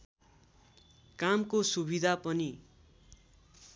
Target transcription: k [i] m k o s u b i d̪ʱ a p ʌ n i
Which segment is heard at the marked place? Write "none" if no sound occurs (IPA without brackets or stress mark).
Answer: a